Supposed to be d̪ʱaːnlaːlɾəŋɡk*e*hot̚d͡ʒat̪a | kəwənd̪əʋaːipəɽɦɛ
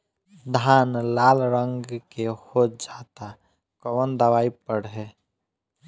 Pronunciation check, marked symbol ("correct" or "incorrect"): correct